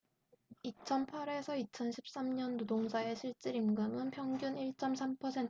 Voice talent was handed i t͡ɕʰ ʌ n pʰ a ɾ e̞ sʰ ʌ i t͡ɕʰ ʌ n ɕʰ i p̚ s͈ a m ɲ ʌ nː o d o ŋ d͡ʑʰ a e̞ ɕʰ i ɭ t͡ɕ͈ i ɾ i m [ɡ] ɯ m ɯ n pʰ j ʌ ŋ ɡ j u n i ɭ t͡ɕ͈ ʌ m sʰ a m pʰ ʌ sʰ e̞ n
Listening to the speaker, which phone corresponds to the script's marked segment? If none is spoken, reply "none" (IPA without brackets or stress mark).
ɡ